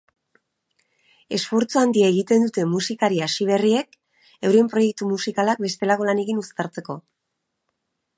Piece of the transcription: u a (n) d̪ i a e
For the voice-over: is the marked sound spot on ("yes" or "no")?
yes